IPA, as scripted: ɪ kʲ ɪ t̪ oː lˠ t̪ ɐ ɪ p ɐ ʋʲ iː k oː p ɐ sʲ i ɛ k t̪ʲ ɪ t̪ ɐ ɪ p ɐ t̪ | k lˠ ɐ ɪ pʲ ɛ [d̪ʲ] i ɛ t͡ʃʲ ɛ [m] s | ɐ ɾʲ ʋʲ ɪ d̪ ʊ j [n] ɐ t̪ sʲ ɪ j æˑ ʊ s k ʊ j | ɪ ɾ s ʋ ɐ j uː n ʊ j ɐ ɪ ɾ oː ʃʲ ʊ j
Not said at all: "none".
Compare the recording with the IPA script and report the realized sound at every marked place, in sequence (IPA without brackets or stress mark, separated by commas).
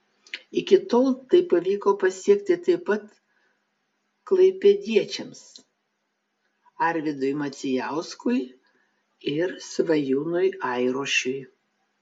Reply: d̪ʲ, m, m